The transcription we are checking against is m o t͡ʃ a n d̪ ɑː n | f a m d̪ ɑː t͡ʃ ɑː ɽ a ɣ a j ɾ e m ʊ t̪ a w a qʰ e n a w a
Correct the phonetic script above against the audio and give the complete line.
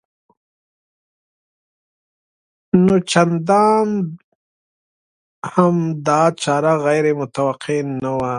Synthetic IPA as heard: n o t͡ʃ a n d̪ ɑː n | h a m d̪ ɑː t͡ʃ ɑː ɾ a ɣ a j ɾ e m ʊ t̪ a w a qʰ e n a w a